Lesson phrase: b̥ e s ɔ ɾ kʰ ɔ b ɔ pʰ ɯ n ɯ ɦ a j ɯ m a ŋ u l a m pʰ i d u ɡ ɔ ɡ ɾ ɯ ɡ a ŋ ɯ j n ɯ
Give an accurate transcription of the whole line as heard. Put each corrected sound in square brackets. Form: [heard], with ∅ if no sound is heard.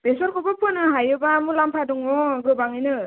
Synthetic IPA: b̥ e s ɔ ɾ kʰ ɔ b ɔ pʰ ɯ n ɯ ɦ a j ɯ [b] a [m] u l a m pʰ [a] d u [ŋ] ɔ ɡ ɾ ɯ [b] a ŋ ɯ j n ɯ